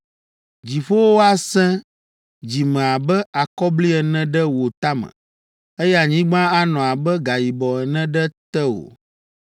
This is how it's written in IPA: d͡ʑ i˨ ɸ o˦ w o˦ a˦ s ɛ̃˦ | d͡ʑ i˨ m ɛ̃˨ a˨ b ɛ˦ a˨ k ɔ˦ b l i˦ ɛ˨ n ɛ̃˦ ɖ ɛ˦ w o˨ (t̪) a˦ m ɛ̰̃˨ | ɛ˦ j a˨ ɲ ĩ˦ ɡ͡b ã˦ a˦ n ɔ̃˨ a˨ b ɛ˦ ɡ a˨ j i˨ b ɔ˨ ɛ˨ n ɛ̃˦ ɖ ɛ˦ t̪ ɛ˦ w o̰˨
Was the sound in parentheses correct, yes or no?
yes